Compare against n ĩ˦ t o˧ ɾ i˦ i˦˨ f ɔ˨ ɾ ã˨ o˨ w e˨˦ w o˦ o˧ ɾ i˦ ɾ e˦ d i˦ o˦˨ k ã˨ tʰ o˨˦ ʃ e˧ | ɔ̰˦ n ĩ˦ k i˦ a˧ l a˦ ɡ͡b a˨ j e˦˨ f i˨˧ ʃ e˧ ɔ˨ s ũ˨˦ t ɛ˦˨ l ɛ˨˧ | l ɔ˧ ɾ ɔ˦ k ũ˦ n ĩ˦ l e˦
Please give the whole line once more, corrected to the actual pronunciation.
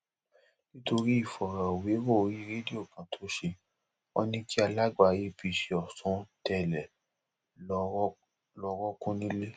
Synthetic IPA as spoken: n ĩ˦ t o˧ ɾ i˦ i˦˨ f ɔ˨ ɾ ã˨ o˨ w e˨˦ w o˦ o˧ ɾ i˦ ɾ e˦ d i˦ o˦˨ k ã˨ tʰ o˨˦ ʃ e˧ | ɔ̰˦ n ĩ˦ k i˦ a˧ l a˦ ɡ͡b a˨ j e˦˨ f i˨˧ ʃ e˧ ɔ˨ s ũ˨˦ t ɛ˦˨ l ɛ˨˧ | l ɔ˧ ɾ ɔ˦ k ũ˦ n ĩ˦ l e˦

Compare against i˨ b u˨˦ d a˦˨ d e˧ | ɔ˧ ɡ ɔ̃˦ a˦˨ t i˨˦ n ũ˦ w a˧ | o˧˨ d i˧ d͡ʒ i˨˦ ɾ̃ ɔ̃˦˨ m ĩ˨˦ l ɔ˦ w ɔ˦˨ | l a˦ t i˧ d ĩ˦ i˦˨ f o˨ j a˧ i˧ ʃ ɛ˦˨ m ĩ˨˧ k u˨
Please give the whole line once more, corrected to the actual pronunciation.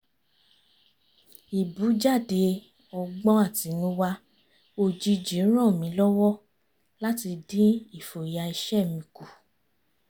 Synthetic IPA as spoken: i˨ b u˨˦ d͡ʒ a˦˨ d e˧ | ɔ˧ ɡ͡b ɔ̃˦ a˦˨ t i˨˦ n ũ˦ w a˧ | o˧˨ d͡ʒ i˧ d͡ʒ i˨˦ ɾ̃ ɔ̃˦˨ m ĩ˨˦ l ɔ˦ w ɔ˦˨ | l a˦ t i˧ d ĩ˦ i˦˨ f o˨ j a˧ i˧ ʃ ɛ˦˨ m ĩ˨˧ k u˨

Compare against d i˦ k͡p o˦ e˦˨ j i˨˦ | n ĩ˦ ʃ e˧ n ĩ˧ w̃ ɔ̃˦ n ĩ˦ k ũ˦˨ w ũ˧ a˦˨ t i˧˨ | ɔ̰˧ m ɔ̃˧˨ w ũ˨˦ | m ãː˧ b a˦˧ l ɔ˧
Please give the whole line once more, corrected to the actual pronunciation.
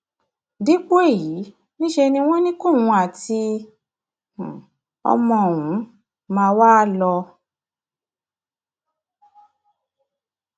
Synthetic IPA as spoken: d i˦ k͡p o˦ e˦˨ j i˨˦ | n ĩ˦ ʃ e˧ n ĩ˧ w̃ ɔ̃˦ n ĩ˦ k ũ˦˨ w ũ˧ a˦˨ t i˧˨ | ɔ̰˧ m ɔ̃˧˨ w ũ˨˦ | m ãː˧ w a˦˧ l ɔ˧

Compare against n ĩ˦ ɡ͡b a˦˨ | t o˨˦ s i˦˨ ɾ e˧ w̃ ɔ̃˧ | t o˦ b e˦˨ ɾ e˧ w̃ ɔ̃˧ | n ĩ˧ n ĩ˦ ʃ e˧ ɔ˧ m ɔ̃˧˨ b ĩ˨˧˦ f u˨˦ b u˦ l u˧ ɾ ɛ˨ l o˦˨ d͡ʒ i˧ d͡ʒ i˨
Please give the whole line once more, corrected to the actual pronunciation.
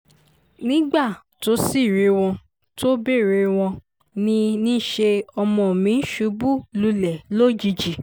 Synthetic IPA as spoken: n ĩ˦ ɡ͡b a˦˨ | t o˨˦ s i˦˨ ɾ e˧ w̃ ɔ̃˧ | t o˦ b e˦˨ ɾ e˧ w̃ ɔ̃˧ | n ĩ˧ n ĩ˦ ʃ e˧ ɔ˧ m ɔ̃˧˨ m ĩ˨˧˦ ʃ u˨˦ b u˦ l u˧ l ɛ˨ l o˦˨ d͡ʒ i˧ d͡ʒ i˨

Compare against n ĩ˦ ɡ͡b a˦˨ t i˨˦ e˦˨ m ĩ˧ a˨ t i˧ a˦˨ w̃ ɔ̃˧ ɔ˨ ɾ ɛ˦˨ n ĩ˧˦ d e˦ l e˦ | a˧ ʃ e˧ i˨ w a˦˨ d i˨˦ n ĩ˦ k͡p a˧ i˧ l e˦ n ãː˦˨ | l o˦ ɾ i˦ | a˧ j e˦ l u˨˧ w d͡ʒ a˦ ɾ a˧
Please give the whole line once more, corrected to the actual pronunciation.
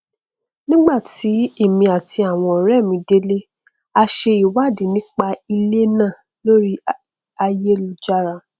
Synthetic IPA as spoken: n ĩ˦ ɡ͡b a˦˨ t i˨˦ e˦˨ m ĩ˧ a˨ t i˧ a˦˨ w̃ ɔ̃˧ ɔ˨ ɾ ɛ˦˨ m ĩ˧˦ d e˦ l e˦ | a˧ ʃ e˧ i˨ w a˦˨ d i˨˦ n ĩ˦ k͡p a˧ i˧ l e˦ n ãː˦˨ | l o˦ ɾ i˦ | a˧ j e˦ l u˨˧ d͡ʒ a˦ ɾ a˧

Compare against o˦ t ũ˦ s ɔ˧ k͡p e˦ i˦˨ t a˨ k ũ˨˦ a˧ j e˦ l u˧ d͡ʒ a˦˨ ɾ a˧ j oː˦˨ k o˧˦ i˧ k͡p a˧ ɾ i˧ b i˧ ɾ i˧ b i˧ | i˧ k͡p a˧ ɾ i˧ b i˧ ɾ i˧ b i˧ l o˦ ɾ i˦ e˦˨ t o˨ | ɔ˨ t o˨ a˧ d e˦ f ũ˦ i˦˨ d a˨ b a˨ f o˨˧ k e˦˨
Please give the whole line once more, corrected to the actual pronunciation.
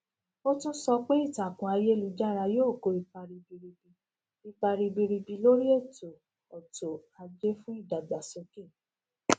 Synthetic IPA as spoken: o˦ t ũ˦ s ɔ˧ k͡p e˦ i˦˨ t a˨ k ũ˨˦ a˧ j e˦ l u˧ d͡ʒ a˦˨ ɾ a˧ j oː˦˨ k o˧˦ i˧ k͡p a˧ ɾ i˧ b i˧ ɾ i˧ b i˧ | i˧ k͡p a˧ ɾ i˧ b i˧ ɾ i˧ b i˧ l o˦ ɾ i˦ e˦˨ t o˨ | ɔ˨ t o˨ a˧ d͡ʒ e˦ f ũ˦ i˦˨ d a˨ ɡ͡b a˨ s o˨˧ k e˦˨

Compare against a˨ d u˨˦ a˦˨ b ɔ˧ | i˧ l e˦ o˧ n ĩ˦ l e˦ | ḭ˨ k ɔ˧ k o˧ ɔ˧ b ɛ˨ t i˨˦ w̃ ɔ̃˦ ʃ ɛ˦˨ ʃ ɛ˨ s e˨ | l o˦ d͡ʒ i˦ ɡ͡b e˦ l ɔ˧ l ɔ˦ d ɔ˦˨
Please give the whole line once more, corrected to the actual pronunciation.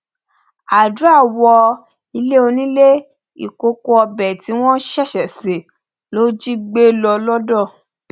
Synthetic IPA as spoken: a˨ d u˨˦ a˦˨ w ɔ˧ | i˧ l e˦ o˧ n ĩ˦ l e˦ | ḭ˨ k o˧ k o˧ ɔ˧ b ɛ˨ t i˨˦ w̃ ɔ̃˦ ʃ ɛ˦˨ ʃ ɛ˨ s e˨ | l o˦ d͡ʒ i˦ ɡ͡b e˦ l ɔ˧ l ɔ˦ d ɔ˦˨

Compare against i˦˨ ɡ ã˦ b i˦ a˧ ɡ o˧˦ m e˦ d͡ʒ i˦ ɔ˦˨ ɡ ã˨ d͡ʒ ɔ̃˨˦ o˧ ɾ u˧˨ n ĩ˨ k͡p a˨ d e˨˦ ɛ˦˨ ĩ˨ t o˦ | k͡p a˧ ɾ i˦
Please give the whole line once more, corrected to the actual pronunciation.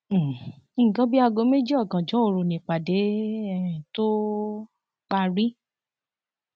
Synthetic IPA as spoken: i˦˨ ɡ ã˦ b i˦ a˧ ɡ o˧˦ m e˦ d͡ʒ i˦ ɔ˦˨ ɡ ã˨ d͡ʒ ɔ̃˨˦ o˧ ɾ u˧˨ n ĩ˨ k͡p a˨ d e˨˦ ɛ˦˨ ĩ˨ t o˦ | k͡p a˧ ɾ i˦

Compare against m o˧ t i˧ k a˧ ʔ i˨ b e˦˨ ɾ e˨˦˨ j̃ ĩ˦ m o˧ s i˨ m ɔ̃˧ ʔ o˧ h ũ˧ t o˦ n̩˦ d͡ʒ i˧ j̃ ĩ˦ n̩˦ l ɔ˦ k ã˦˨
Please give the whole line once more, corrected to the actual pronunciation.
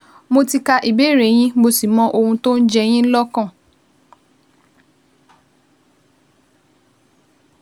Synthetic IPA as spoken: m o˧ t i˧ k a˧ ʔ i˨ b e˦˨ ɾ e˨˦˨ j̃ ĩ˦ m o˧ s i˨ m ɔ̃˧ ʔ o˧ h ũ˧ t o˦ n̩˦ d͡ʒ ɛ˧ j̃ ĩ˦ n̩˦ l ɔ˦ k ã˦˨

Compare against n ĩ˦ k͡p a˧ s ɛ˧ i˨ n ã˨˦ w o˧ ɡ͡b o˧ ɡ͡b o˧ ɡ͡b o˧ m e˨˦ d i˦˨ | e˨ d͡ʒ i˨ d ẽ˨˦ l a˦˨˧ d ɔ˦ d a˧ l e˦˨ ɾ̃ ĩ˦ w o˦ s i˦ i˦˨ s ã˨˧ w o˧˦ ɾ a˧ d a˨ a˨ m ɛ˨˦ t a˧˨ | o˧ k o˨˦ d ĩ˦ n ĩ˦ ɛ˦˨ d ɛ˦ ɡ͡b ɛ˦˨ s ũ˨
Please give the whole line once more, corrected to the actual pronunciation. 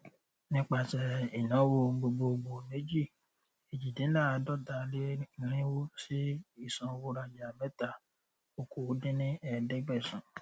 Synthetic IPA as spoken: n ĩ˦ k͡p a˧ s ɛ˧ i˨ n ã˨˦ w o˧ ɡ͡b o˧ ɡ͡b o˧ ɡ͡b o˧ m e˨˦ d͡ʒ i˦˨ | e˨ d͡ʒ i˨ d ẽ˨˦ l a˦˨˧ d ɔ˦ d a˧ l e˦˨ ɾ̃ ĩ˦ w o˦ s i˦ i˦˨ s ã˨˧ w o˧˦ ɾ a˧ d͡ʒ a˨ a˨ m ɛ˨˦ t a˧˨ | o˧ k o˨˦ d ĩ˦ n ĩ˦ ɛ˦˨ d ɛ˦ ɡ͡b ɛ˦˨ s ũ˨

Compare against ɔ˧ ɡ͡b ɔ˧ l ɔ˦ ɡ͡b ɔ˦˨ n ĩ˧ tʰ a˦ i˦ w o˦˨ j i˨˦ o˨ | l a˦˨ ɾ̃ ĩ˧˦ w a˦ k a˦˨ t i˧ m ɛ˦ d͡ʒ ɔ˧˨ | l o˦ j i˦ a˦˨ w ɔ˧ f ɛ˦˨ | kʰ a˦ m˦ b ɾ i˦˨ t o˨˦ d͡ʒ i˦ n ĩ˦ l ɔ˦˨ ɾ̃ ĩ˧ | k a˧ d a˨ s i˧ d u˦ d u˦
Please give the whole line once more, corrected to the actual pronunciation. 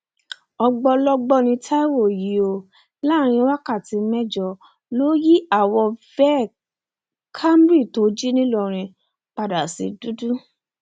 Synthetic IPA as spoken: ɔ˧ ɡ͡b ɔ˧ l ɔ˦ ɡ͡b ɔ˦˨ n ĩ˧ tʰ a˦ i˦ w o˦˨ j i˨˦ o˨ | l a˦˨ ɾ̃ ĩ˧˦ w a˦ k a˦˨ t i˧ m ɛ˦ d͡ʒ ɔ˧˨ | l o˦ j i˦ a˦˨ w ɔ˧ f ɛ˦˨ | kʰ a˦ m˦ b ɾ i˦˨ t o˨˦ d͡ʒ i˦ n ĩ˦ l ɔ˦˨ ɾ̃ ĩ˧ | k͡p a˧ d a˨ s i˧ d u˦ d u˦

